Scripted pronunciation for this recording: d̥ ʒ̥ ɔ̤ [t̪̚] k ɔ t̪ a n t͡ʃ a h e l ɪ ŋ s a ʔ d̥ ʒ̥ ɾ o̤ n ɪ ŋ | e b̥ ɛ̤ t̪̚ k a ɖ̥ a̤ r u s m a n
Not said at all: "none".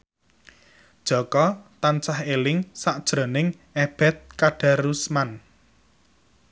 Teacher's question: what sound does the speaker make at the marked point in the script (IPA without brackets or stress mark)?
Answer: none